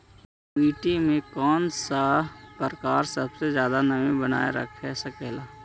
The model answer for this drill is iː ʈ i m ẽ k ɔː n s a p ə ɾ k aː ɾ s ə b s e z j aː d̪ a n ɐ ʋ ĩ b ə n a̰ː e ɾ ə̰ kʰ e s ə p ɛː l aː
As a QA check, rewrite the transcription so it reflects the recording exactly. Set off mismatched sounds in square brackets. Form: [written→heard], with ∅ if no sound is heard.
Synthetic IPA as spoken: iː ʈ i m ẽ k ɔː n s a p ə ɾ k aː ɾ s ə b s e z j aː d̪ a n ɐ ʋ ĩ b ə n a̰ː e ɾ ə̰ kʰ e s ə [p→k] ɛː l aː